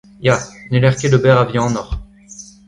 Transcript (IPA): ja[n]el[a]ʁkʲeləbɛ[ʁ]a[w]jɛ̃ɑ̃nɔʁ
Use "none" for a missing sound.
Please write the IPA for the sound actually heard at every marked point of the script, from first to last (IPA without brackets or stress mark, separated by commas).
n, ɛ, ʁ, v